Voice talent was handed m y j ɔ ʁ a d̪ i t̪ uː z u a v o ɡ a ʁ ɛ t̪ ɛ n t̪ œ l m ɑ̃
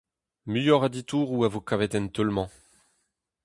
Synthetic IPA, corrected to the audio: m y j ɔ ʁ a d̪ i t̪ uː ʁ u a v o k a v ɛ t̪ ɛ n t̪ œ l m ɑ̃